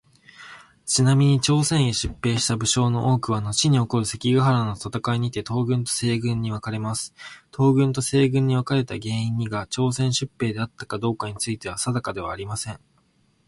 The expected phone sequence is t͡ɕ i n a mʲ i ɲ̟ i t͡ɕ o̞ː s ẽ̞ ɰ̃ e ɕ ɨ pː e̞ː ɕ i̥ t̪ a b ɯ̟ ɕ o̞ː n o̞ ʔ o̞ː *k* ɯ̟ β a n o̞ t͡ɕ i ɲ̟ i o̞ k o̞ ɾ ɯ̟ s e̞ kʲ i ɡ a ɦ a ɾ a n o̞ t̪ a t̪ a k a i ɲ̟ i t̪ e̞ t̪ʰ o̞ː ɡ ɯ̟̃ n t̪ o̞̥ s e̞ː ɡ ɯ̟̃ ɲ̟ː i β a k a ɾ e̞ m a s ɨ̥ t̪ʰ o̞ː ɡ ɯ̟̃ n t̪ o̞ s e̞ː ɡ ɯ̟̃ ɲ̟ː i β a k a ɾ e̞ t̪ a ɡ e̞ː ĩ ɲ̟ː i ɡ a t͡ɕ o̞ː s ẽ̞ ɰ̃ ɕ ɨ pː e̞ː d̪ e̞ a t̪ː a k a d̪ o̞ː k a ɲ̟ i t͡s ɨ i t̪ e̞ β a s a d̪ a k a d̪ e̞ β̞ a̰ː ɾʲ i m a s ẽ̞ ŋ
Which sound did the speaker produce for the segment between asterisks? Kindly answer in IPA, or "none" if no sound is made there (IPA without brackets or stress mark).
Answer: k